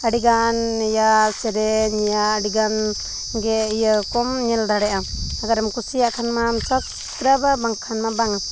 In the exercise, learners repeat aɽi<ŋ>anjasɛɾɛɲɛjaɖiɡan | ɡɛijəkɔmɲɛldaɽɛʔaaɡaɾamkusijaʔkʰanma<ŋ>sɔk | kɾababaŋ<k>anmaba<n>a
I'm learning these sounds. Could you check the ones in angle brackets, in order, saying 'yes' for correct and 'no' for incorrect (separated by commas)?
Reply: no, no, no, no